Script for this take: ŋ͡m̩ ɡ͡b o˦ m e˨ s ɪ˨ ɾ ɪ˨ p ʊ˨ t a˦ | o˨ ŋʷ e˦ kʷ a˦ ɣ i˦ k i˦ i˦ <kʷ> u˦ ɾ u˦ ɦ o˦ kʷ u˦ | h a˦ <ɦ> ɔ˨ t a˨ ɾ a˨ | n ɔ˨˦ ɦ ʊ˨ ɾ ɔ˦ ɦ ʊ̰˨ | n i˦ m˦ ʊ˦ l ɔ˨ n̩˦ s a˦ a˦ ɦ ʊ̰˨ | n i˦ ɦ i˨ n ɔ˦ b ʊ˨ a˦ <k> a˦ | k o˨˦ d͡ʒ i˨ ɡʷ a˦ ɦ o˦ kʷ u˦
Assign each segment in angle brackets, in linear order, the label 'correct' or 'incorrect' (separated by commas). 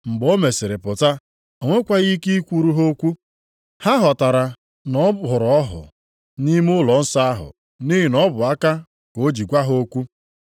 correct, correct, correct